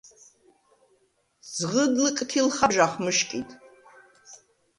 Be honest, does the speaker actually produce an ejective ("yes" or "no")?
yes